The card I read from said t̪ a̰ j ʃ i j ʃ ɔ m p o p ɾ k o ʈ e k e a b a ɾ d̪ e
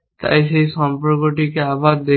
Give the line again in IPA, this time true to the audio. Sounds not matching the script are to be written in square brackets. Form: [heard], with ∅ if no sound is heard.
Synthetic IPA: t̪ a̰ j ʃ [e] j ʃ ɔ m p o [∅] ɾ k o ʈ [i] k e a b a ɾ d̪ e